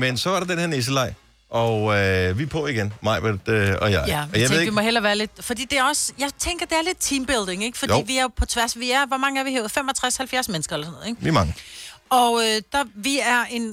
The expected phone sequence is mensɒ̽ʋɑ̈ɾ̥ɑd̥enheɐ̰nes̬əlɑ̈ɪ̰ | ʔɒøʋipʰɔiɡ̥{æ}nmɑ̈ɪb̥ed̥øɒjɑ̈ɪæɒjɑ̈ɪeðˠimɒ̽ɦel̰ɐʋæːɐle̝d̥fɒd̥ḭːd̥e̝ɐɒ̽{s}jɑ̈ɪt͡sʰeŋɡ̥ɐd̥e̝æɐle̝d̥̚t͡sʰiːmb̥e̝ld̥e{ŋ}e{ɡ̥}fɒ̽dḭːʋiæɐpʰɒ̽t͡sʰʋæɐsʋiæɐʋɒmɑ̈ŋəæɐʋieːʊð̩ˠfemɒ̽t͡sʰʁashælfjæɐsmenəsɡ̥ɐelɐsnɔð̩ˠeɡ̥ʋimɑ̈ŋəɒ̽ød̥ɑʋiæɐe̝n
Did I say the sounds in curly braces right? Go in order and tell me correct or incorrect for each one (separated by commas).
incorrect, correct, correct, correct